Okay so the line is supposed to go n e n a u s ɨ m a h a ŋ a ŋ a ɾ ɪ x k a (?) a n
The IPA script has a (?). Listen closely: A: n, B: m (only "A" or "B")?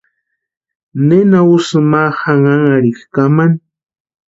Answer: B